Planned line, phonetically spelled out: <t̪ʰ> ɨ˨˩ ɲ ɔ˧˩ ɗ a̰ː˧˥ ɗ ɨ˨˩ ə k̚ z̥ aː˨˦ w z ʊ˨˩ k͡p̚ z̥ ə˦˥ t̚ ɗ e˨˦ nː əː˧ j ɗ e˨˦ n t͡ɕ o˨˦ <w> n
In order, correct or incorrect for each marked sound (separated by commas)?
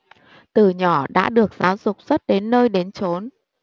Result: incorrect, incorrect